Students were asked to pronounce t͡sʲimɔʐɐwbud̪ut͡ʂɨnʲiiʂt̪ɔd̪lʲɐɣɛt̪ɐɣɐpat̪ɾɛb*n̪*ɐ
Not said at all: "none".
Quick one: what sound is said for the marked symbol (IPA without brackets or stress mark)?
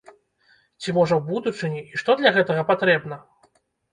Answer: n̪